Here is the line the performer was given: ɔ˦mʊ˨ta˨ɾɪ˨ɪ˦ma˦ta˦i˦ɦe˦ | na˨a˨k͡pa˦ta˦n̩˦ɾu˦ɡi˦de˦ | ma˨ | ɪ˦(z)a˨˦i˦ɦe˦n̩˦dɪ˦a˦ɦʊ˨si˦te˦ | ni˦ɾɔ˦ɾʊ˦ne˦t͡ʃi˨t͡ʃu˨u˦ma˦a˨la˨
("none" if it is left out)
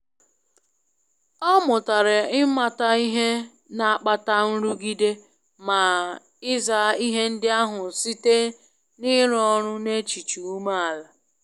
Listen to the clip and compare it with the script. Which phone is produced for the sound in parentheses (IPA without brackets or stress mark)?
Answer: z